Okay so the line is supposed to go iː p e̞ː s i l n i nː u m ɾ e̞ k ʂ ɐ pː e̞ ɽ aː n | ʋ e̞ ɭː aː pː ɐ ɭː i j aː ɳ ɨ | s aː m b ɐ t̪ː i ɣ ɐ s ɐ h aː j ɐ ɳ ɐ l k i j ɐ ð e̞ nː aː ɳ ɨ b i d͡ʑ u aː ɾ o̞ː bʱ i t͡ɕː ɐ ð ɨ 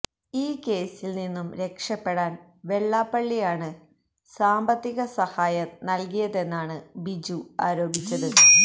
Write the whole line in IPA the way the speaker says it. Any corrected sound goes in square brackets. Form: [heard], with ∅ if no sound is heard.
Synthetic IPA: iː [k] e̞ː s i l n i nː u m ɾ e̞ k ʂ ɐ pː e̞ ɽ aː n | ʋ e̞ ɭː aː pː ɐ ɭː i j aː ɳ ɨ | s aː m b ɐ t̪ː i ɣ ɐ s ɐ h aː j ɐ [n] ɐ l k i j ɐ ð e̞ nː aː ɳ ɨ b i d͡ʑ u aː ɾ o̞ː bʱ i t͡ɕː ɐ ð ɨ